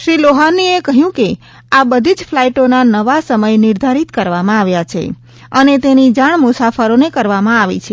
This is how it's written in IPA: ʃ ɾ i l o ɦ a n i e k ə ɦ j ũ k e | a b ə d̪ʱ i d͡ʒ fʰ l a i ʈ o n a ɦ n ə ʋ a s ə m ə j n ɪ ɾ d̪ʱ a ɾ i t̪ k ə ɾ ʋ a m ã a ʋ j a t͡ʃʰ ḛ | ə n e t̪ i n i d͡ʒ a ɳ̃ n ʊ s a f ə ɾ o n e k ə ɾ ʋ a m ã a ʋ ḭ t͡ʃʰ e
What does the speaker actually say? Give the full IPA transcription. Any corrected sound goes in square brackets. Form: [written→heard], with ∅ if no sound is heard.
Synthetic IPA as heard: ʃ ɾ i l o ɦ a n i e k ə ɦ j ũ k e | a b ə d̪ʱ i d͡ʒ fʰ l a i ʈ o n a [ɦ→∅] n ə ʋ a s ə m ə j n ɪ ɾ d̪ʱ a ɾ i t̪ k ə ɾ ʋ a m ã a ʋ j a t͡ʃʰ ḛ | ə n e t̪ [i→e] n i d͡ʒ a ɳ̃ [n→m] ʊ s a f ə ɾ o n e k ə ɾ ʋ a m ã a ʋ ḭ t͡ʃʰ e